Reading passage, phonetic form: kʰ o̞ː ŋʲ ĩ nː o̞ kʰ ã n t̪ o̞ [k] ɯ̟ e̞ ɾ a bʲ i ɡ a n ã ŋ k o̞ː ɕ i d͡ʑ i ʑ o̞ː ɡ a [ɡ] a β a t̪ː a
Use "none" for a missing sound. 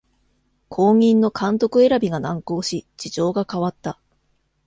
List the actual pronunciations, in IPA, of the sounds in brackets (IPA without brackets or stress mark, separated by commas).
k, k